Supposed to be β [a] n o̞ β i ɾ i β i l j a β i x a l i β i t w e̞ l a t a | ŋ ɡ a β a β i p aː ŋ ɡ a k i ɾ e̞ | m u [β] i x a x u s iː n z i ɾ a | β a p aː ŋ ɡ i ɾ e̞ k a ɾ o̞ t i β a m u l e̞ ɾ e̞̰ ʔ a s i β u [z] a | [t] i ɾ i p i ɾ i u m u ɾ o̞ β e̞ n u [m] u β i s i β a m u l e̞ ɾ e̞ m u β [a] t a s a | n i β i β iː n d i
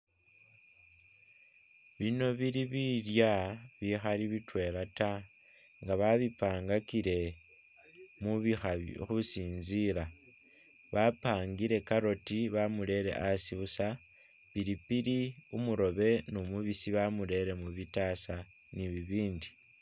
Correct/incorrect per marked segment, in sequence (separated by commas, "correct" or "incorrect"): incorrect, correct, incorrect, incorrect, correct, incorrect